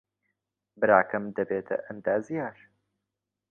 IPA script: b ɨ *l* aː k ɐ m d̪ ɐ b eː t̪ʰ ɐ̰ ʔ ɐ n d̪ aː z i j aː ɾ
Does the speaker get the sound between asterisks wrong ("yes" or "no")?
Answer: yes